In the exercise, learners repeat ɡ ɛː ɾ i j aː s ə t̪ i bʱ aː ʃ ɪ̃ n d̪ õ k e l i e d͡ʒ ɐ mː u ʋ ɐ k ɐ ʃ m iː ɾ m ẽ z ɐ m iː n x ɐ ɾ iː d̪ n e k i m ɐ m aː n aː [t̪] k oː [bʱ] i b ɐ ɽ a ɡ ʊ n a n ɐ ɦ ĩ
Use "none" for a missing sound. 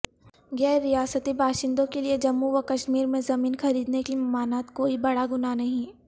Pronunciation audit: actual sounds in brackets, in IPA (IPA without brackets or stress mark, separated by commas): t̪, none